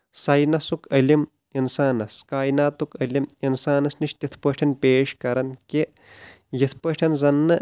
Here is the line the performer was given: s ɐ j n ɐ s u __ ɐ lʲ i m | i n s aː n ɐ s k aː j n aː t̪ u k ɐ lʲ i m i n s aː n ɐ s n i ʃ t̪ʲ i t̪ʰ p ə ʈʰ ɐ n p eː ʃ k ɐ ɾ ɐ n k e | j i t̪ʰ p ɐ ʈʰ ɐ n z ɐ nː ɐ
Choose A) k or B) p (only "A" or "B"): A